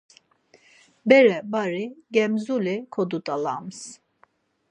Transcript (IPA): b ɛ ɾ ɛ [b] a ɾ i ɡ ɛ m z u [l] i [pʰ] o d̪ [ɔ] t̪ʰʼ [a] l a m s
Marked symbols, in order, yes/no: yes, yes, no, no, yes

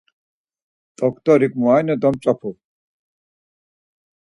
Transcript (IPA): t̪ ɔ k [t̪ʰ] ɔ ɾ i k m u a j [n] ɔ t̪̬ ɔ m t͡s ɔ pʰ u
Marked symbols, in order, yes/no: no, yes

